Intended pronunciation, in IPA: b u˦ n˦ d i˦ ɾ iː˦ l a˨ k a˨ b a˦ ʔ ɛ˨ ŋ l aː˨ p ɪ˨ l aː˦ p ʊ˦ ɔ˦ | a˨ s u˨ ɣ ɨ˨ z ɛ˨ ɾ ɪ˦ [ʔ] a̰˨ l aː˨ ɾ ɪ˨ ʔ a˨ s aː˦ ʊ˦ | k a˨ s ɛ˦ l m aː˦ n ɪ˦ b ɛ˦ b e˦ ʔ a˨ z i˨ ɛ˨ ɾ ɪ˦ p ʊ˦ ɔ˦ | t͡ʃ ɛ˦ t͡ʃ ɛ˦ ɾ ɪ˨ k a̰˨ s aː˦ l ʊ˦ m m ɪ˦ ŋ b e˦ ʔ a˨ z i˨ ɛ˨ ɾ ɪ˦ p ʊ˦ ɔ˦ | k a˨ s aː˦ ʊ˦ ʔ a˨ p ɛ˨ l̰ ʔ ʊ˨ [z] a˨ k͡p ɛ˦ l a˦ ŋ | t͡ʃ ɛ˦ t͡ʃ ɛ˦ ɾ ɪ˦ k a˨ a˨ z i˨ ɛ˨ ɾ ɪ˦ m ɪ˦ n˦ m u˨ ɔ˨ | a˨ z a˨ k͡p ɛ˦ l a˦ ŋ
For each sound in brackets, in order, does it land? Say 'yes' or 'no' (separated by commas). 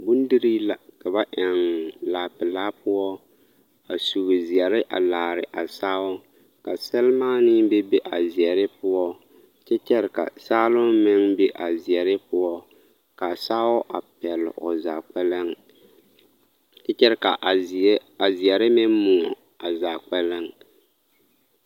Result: yes, yes